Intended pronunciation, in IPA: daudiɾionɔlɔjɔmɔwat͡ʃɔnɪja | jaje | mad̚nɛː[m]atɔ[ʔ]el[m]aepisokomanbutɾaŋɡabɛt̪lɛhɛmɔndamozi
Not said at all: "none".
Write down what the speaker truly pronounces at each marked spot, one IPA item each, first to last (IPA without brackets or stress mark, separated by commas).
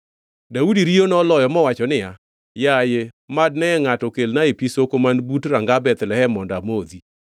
ŋ, k, n